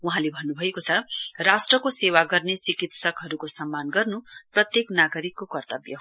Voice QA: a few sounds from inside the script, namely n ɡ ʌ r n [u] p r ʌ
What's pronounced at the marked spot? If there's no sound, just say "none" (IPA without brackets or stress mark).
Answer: u